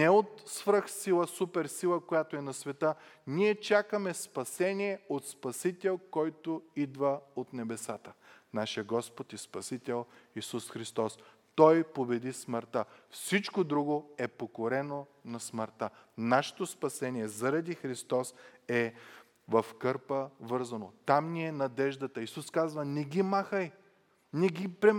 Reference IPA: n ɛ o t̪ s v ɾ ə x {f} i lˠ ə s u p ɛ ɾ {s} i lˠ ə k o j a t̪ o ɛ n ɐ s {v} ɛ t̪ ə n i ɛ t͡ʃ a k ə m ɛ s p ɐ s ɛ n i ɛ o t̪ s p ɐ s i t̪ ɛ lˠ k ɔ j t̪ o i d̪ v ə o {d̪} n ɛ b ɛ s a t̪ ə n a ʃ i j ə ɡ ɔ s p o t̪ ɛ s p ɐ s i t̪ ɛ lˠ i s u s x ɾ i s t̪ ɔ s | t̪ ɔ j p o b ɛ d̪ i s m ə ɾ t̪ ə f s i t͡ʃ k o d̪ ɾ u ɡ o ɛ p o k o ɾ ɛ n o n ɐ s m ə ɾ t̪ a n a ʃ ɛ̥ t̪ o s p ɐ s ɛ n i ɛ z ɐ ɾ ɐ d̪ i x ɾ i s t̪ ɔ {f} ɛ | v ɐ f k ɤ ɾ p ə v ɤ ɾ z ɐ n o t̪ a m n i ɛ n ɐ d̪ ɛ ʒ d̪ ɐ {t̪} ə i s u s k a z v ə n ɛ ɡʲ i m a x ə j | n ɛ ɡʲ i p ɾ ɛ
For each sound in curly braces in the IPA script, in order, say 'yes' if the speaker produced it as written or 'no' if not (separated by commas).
no, yes, yes, no, no, yes